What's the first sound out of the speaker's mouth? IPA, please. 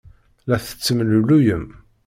l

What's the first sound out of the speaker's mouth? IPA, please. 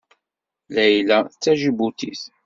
l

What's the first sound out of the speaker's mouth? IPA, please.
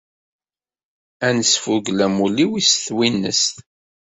æ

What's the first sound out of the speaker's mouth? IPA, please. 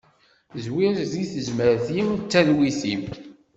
z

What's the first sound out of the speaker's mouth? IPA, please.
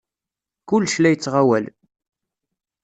k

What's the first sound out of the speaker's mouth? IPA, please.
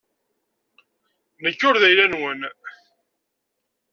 n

